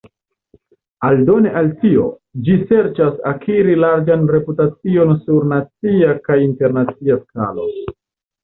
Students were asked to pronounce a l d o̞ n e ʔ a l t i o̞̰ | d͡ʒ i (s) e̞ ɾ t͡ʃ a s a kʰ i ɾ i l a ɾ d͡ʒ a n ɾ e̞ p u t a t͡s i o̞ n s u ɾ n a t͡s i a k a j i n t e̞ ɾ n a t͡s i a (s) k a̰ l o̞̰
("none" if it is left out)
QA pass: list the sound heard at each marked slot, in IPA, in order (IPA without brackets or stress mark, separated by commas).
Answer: s, s